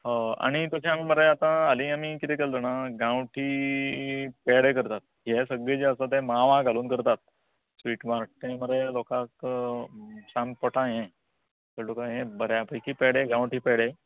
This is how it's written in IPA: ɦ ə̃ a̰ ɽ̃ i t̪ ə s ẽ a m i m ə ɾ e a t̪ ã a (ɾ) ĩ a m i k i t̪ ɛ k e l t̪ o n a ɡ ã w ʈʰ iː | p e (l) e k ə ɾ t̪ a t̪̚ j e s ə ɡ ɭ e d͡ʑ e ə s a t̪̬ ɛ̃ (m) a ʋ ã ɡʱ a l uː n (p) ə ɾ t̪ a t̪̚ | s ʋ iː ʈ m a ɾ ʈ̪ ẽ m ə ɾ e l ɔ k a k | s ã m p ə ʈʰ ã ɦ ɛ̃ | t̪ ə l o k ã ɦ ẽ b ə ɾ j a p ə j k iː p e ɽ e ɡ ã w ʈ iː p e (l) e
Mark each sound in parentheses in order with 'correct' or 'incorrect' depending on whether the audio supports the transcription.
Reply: incorrect, incorrect, correct, incorrect, incorrect

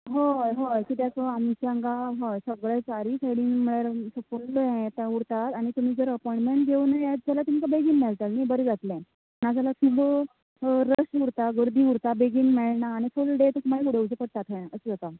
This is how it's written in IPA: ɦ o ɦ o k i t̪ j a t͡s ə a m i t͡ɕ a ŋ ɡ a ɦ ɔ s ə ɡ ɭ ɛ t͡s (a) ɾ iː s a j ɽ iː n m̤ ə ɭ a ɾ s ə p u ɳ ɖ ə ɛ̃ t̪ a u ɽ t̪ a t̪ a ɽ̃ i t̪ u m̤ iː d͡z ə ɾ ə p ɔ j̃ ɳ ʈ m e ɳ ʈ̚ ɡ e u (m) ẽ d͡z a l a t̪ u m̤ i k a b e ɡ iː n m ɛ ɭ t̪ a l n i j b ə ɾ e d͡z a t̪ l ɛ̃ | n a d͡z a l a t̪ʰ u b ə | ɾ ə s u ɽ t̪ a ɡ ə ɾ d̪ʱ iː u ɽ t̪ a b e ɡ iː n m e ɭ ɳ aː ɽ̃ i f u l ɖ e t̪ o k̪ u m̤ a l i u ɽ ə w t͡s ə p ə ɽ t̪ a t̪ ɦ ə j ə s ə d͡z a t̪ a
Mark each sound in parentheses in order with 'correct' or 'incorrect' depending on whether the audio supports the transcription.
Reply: correct, incorrect

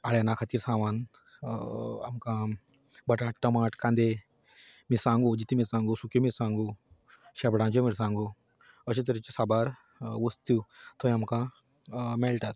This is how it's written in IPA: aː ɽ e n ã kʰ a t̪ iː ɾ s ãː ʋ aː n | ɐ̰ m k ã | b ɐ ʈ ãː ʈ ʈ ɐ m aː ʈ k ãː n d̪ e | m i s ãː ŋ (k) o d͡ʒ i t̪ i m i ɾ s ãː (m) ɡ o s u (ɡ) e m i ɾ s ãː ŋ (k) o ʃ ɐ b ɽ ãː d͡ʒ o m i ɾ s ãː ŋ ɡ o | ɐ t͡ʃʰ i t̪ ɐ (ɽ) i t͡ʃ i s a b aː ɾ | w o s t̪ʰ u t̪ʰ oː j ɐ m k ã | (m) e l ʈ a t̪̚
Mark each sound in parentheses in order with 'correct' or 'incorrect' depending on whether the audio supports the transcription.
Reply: incorrect, incorrect, incorrect, incorrect, incorrect, correct

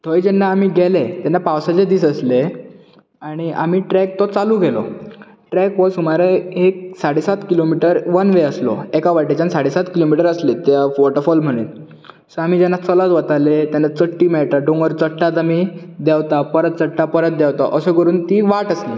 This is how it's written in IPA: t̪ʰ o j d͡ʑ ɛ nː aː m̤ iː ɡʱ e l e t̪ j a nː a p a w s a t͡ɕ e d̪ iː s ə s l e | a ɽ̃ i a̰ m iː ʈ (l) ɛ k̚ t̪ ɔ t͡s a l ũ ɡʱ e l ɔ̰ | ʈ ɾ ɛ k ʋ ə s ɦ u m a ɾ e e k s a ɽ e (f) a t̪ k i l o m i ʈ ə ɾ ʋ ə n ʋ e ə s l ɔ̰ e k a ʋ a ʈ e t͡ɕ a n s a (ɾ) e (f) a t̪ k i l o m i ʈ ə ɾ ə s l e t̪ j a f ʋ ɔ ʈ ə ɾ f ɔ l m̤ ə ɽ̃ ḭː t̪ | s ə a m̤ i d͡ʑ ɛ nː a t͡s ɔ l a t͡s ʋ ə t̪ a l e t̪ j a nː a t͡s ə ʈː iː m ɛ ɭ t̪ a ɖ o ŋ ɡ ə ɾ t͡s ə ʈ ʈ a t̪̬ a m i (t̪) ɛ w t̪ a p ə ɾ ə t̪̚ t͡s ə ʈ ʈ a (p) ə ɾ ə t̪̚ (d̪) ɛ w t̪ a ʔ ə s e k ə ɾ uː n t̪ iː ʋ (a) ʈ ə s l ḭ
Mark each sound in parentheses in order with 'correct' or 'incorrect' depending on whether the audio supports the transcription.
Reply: incorrect, incorrect, incorrect, incorrect, incorrect, correct, correct, correct

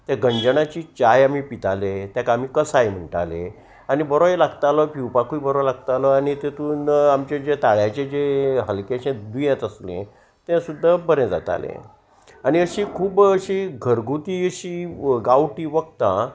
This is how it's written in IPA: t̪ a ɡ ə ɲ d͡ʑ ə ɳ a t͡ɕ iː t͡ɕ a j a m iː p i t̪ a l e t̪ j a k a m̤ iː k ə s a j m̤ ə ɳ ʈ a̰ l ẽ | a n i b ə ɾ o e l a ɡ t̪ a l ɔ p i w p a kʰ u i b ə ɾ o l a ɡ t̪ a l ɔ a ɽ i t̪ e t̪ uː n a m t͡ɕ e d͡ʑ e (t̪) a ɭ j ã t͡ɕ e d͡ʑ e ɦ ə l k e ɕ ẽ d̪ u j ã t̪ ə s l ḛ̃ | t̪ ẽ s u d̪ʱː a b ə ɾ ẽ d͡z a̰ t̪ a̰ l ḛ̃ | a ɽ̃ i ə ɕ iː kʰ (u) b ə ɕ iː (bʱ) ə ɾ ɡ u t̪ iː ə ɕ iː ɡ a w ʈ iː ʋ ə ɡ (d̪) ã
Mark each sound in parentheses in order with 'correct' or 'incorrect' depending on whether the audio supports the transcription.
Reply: correct, incorrect, incorrect, incorrect

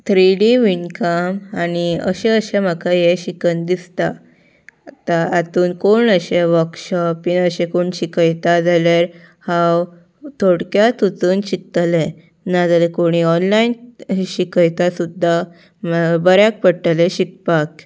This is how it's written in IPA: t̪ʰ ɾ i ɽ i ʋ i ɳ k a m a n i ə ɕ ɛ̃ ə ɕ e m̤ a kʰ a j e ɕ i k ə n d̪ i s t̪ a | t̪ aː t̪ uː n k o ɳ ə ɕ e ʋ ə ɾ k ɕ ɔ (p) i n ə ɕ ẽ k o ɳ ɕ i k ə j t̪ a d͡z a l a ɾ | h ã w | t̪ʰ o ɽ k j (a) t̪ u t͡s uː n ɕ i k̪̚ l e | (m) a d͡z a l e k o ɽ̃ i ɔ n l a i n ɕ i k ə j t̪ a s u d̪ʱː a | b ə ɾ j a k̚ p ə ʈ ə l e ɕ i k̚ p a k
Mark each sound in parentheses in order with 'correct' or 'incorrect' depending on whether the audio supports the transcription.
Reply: correct, correct, incorrect

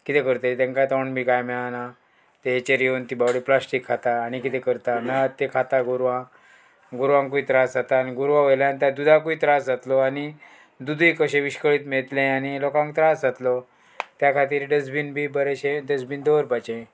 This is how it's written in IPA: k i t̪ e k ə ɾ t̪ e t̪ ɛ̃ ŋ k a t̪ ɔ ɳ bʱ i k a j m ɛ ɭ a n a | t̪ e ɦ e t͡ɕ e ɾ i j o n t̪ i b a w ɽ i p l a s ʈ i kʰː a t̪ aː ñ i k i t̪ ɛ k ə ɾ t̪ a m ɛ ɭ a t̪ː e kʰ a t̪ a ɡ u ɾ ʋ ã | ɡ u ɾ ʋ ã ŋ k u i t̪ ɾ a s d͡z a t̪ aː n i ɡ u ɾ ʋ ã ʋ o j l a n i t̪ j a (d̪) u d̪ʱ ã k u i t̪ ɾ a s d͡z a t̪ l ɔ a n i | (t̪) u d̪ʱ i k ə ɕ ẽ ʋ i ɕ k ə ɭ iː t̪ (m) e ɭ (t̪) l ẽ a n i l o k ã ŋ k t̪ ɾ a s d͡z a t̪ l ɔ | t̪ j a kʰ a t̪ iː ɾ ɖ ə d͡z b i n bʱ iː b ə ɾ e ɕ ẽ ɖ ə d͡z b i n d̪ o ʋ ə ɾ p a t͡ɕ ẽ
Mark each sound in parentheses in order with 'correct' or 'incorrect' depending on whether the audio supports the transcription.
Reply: correct, incorrect, correct, correct

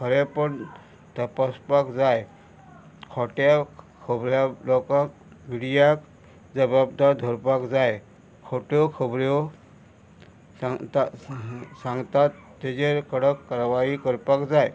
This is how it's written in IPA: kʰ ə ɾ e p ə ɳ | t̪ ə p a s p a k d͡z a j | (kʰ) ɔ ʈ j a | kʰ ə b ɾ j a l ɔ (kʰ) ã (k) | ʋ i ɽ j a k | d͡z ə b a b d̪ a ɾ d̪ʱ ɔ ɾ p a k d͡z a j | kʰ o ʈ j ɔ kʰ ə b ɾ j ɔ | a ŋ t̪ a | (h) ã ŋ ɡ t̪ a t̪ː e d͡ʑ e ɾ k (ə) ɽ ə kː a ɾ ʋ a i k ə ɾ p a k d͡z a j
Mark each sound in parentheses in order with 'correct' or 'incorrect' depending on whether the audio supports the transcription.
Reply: correct, incorrect, correct, incorrect, correct

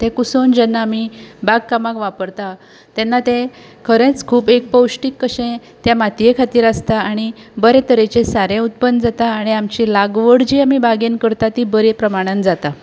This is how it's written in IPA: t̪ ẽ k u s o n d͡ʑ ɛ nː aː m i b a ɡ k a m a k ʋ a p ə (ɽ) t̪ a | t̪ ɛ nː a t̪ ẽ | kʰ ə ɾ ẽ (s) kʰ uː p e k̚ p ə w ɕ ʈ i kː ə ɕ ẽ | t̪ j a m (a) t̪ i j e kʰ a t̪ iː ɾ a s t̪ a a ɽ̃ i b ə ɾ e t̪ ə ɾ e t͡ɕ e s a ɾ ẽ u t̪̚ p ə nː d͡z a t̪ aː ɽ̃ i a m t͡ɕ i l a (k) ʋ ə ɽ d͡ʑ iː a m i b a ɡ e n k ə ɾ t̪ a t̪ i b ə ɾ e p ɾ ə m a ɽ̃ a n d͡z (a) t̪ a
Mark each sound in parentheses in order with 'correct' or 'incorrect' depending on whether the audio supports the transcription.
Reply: incorrect, incorrect, correct, incorrect, correct

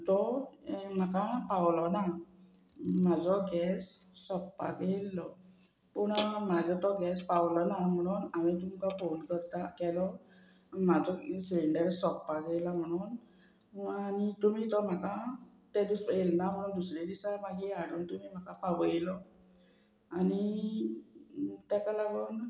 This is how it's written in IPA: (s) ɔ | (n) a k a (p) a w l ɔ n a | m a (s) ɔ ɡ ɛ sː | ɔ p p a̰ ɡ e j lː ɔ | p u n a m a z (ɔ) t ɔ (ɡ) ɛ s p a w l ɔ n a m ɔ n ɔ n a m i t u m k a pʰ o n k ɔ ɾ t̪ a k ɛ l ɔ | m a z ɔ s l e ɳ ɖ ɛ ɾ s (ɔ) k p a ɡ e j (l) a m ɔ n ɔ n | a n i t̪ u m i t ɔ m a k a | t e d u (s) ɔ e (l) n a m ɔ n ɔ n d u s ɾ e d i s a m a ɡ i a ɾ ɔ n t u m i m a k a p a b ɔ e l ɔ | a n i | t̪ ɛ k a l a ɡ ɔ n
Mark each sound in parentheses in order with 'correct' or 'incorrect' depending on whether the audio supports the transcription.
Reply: incorrect, incorrect, correct, incorrect, correct, correct, correct, correct, correct, correct

